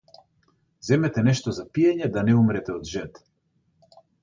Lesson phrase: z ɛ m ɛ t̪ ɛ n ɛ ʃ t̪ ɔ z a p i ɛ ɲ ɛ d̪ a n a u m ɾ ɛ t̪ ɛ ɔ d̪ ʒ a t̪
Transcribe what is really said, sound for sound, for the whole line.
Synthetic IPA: z ɛ m ɛ t̪ ɛ n ɛ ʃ t̪ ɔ z a p i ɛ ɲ ɛ d̪ a n ɛ u m ɾ ɛ t̪ ɛ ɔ d̪ ʒ ɛ t̪